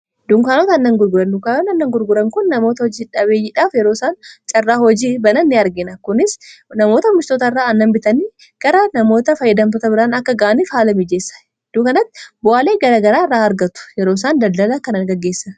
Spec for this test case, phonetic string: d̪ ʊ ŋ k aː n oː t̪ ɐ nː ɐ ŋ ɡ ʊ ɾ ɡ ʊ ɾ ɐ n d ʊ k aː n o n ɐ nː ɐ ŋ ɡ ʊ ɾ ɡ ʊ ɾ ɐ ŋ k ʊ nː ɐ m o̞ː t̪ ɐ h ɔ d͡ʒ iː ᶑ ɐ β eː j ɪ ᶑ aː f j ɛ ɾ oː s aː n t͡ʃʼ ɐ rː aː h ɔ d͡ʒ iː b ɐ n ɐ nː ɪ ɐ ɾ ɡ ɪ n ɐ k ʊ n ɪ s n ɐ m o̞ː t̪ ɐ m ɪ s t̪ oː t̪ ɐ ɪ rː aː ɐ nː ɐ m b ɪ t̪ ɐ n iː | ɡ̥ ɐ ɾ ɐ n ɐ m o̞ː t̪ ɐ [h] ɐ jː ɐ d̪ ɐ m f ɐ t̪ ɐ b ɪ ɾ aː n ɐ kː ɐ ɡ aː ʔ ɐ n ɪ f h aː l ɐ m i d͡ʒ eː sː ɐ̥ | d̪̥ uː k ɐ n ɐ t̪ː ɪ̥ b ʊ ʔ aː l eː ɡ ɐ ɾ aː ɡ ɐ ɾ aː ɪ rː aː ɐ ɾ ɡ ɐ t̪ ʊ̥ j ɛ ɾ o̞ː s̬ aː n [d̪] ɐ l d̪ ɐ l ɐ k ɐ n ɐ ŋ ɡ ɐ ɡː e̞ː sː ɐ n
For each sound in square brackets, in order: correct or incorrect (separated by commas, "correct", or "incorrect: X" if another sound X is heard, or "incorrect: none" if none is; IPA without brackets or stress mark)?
incorrect: f, correct